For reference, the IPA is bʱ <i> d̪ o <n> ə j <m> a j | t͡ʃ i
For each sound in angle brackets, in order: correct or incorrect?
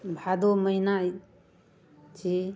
incorrect: a, incorrect: m, incorrect: n

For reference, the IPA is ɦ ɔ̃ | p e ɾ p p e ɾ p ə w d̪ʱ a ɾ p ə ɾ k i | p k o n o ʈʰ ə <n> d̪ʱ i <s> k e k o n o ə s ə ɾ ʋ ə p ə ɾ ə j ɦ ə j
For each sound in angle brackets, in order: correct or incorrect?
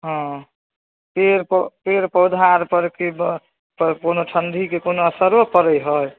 correct, incorrect: none

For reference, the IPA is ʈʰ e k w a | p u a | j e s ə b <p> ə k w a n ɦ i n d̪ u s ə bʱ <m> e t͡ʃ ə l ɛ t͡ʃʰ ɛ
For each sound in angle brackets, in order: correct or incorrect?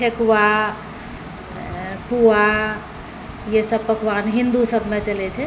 correct, correct

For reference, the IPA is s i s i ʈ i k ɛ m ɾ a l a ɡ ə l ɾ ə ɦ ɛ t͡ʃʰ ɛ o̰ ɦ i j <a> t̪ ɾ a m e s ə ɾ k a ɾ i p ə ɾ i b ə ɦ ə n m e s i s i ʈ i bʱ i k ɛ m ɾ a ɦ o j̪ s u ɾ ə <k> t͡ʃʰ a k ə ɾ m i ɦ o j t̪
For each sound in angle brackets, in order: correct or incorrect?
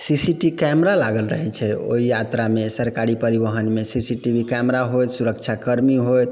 correct, correct

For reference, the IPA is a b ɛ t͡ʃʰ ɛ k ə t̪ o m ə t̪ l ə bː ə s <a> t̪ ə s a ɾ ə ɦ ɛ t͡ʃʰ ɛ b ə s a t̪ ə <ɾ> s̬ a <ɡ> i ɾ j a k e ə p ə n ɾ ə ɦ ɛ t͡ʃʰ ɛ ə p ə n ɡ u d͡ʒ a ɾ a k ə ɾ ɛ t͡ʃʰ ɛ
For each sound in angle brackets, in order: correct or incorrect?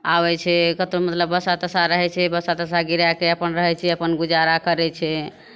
correct, incorrect: none, correct

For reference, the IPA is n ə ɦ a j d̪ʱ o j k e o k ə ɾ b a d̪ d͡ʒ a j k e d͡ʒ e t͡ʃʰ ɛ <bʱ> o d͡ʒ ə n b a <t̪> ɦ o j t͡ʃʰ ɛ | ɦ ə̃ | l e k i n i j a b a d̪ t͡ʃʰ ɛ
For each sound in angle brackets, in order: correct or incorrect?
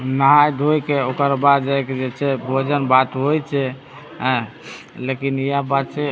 correct, correct

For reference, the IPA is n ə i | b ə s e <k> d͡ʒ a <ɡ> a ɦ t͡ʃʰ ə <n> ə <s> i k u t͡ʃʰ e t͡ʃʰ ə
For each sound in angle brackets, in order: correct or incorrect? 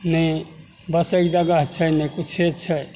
correct, correct, correct, incorrect: none

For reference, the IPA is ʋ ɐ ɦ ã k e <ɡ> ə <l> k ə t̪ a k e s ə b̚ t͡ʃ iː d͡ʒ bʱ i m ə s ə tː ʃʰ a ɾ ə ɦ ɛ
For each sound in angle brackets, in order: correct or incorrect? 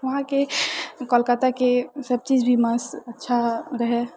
incorrect: k, correct

